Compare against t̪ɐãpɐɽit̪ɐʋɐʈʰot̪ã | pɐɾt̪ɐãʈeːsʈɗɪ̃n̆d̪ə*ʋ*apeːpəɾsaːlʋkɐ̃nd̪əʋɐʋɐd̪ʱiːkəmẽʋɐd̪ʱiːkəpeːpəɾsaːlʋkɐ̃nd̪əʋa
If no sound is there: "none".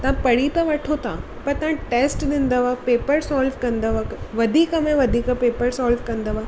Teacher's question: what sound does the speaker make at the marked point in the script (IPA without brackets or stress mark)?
ʋ